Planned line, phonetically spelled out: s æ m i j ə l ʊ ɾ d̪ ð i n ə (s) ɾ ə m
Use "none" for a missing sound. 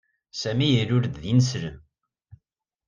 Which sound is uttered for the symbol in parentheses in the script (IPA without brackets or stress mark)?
s